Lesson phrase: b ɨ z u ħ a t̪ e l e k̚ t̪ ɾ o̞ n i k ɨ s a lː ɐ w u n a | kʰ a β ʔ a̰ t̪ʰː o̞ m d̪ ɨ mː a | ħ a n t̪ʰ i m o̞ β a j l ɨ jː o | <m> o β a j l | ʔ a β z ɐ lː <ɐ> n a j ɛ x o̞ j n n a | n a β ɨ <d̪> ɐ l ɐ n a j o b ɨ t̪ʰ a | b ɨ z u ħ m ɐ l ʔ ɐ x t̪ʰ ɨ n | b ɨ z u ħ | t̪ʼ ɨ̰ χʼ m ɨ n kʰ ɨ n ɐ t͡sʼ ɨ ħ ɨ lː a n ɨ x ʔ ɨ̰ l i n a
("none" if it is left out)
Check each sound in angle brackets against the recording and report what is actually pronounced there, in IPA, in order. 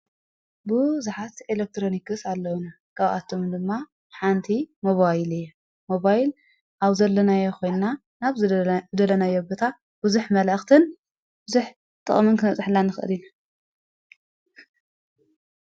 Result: m, ɐ, d̪

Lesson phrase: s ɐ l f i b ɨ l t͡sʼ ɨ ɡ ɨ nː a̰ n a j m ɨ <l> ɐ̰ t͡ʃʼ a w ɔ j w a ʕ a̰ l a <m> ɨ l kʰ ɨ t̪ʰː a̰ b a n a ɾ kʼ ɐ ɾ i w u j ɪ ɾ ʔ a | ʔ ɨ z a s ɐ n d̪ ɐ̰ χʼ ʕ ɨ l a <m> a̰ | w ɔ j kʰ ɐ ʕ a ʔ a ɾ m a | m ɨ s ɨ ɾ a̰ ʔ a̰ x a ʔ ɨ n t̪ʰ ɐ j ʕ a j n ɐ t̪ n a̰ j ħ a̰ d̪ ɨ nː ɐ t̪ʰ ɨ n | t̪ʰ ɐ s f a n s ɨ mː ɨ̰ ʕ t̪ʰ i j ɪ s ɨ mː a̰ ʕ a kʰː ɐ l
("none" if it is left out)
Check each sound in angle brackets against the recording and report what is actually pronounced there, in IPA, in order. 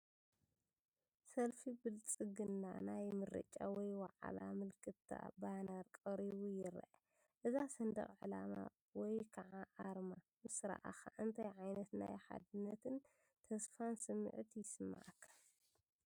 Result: ɾ, m, m

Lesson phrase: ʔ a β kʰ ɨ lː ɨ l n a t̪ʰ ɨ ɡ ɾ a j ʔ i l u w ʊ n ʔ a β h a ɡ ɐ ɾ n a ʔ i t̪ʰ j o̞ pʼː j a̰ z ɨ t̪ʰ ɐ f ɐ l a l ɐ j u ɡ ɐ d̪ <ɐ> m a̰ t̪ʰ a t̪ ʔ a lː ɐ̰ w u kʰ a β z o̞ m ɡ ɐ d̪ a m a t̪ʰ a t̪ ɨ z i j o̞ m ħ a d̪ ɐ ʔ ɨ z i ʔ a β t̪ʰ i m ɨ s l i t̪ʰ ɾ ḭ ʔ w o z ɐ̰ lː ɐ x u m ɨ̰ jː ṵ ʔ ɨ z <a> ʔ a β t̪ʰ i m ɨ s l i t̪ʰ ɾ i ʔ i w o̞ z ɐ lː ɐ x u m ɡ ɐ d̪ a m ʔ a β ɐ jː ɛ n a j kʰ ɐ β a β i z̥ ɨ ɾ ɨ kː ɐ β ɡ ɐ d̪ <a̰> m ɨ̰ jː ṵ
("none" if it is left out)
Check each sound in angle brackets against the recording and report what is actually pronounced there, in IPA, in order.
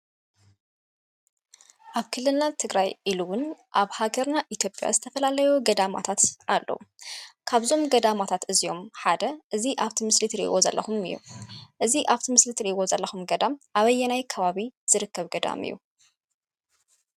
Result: a, i, a̰

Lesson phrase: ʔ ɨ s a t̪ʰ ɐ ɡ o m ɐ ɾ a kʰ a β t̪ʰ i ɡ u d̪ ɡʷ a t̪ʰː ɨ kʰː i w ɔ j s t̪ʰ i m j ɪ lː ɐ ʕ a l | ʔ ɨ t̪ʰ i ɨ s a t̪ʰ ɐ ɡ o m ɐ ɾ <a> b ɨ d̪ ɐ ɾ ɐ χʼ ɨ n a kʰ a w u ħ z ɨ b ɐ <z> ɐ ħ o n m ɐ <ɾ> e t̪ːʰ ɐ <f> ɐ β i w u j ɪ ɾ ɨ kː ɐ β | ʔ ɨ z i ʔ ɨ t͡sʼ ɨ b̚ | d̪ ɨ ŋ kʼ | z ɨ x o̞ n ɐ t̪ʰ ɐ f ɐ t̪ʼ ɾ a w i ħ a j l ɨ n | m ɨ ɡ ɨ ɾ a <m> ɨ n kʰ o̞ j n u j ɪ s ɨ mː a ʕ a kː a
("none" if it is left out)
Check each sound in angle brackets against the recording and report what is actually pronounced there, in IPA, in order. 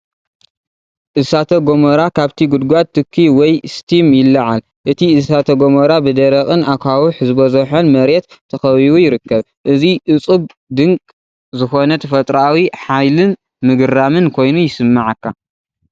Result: a, z, ɾ, x, m

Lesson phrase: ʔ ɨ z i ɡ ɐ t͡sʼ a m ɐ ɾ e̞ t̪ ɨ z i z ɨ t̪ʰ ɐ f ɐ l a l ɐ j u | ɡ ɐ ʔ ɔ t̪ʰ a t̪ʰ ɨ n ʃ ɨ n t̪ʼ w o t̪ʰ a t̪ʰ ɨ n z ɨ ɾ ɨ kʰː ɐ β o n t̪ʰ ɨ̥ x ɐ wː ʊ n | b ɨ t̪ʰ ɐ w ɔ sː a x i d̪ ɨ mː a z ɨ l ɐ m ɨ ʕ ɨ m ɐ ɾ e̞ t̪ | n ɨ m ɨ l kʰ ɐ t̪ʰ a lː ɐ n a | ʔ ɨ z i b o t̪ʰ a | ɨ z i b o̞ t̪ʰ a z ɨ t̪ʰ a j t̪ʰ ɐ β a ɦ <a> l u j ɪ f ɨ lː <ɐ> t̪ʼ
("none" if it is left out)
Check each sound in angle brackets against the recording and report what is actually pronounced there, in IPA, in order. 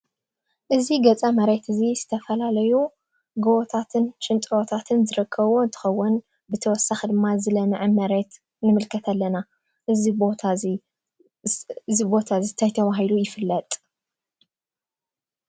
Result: i, ɐ

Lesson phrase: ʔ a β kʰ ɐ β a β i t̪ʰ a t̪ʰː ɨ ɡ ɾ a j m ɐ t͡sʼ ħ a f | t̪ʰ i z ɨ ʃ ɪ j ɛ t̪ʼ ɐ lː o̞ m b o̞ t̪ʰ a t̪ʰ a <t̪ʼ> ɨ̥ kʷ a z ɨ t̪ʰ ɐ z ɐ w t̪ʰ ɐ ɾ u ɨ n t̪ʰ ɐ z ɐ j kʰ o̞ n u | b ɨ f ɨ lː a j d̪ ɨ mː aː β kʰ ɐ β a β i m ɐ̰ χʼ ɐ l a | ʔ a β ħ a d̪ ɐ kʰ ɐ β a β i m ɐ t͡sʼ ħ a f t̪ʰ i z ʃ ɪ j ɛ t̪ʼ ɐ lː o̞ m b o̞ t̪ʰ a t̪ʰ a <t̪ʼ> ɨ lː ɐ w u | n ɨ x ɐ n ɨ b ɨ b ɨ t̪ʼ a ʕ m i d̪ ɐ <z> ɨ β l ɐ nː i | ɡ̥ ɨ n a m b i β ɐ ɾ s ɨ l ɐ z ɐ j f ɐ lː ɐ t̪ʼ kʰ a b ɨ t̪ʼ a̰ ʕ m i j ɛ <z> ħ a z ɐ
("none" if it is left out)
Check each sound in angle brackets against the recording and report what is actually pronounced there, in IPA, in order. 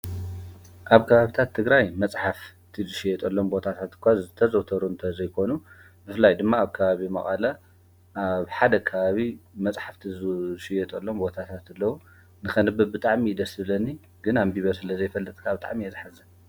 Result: t̪, t̪, s, z

